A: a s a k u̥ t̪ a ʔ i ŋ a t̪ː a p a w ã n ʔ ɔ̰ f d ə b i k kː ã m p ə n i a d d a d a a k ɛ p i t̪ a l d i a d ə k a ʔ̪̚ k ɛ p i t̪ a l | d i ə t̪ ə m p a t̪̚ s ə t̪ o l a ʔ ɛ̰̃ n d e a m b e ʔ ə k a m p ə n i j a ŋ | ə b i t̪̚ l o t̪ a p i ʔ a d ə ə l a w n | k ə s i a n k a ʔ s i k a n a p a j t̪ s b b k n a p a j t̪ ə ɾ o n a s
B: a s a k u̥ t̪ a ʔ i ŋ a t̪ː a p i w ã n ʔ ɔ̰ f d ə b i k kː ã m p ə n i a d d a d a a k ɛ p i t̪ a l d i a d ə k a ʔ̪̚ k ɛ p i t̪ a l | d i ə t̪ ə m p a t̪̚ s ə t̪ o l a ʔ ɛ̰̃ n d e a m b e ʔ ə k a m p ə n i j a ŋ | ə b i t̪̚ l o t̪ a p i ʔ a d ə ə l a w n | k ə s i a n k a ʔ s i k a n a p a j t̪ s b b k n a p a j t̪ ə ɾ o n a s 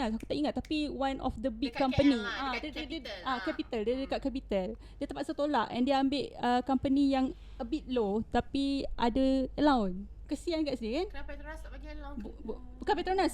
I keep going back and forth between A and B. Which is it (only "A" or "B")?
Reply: B